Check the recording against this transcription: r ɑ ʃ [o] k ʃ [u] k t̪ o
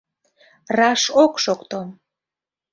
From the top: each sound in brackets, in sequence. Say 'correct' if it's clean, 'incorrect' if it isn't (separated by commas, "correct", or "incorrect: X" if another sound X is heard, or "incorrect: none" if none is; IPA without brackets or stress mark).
correct, incorrect: o